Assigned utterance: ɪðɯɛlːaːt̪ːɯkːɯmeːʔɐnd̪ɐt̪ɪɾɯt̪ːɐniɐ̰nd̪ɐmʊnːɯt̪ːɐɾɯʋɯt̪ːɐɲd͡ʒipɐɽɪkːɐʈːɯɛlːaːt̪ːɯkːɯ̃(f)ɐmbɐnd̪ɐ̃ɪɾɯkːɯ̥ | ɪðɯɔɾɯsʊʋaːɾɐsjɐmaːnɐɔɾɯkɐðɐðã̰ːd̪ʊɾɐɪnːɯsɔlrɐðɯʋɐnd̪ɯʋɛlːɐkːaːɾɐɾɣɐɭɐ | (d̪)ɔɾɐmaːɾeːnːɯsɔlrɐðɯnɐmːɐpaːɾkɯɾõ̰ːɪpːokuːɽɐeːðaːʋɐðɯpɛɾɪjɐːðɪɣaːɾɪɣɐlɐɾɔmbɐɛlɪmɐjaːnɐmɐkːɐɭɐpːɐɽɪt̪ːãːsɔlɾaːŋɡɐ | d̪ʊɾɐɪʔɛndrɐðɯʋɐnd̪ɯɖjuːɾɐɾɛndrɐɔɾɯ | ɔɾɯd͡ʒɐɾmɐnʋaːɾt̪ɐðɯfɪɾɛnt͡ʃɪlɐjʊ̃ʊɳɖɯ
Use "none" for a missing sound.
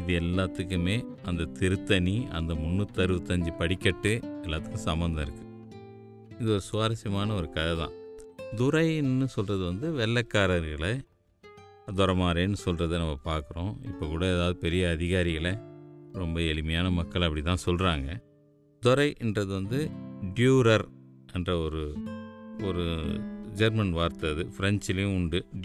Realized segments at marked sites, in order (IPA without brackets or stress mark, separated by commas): s, d̪